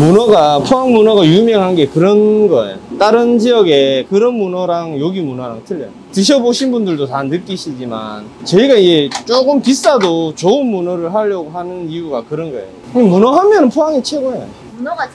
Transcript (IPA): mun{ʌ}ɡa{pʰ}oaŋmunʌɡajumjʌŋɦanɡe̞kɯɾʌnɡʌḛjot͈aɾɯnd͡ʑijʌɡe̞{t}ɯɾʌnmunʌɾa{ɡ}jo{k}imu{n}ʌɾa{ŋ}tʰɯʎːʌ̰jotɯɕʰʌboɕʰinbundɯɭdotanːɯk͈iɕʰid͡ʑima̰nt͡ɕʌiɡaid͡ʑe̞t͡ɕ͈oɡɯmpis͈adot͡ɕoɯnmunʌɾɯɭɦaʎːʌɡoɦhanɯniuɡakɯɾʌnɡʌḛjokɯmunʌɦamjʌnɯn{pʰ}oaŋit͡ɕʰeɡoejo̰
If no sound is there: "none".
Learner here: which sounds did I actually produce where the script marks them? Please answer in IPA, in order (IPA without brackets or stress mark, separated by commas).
ʌ, pʰ, k, ŋ, ɡ, n, ŋ, pʰ